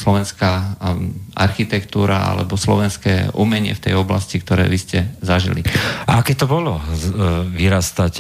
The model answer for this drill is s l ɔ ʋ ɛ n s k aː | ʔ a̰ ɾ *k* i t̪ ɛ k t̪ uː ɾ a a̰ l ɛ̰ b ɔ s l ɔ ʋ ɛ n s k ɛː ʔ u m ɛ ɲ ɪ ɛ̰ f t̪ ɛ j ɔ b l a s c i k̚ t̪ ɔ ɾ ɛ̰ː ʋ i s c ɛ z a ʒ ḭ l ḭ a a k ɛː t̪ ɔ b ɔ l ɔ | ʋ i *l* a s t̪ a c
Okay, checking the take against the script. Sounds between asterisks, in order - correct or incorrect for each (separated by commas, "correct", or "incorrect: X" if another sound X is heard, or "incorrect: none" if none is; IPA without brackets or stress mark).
incorrect: x, incorrect: ɾ